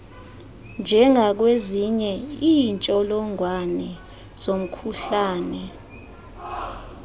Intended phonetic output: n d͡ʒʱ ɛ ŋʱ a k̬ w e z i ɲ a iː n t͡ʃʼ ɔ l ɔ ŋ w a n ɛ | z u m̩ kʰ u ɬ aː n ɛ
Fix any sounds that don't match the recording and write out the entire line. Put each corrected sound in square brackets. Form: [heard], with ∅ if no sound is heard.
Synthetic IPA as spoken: n d͡ʒʱ ɛ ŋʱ a k̬ w e z i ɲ [ɛ] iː n t͡ʃʼ ɔ l ɔ ŋ w a n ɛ | z [o] m̩ kʰ u ɬ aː n ɛ